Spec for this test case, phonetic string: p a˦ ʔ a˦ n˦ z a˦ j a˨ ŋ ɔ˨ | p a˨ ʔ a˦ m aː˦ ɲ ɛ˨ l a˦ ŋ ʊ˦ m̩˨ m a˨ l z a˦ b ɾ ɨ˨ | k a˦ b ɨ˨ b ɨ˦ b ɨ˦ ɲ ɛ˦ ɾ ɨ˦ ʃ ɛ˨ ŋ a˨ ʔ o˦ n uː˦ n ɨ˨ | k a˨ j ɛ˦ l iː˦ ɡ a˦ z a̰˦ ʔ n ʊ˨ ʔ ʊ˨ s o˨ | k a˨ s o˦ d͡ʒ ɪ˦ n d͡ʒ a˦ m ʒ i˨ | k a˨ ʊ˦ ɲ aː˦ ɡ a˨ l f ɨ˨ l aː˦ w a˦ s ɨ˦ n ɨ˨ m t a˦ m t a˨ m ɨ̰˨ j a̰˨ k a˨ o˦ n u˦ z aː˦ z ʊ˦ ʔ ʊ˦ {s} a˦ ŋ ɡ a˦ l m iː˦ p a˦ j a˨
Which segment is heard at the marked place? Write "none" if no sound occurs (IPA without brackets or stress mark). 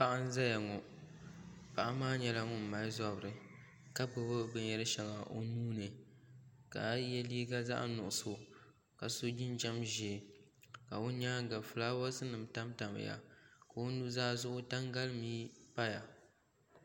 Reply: t